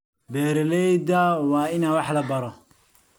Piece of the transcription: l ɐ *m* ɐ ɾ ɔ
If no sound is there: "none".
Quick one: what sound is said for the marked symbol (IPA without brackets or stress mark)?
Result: b